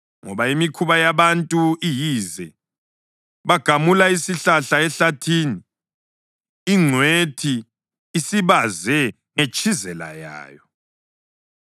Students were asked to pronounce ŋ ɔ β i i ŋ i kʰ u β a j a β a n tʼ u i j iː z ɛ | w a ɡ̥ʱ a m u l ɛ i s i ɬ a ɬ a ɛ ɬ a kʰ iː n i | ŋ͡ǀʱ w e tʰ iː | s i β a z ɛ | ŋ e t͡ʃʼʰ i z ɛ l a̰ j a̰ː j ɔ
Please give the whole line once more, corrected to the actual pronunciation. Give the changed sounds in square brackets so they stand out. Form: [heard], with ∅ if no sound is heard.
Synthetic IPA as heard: ŋ ɔ β [a] i [m] i kʰ u β a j a β a n tʼ u i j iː z ɛ | [β] a ɡ̥ʱ a m u l [a] i s i ɬ a ɬ a ɛ ɬ a [tʰ] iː n i | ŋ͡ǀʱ w e tʰ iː | s i β a z ɛ | ŋ e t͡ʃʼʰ i z ɛ l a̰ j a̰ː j ɔ